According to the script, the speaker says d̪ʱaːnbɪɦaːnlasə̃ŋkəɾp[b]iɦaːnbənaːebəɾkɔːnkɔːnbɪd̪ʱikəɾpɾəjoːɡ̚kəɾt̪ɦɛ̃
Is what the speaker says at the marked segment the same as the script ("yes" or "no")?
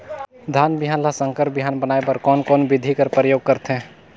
yes